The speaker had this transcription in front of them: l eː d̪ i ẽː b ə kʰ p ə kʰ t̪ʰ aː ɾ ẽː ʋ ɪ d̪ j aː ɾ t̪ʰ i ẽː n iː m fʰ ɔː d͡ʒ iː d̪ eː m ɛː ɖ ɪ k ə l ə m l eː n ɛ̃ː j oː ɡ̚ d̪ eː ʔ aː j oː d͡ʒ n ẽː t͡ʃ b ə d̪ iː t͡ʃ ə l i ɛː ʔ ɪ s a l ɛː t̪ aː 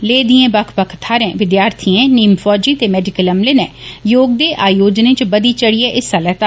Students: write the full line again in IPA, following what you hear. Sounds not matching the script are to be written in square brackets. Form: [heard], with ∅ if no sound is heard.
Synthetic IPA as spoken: l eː d̪ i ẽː b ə kʰ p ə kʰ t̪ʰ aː ɾ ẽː ʋ ɪ d̪ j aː ɾ t̪ʰ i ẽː n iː m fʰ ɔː d͡ʒ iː [t̪] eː m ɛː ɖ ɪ k ə l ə m l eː n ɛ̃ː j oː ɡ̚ d̪ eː ʔ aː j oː d͡ʒ n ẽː t͡ʃ b ə d̪ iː t͡ʃ ə [ɽ] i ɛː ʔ ɪ s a l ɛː t̪ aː